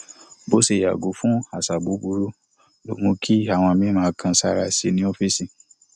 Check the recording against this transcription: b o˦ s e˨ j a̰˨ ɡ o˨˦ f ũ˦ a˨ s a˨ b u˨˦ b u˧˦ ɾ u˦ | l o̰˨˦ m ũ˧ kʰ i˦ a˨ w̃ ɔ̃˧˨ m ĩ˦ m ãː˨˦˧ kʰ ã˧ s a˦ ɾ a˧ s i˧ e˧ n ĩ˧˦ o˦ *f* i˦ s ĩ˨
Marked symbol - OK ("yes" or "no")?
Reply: yes